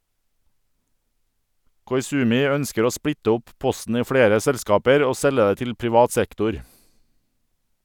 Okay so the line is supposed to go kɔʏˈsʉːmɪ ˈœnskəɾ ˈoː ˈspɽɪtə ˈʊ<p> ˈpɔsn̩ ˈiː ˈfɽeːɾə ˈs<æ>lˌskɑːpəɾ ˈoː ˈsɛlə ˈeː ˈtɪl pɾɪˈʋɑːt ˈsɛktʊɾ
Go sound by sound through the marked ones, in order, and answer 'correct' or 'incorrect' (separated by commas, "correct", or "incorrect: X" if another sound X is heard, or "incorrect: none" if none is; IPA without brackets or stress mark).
correct, incorrect: ɛ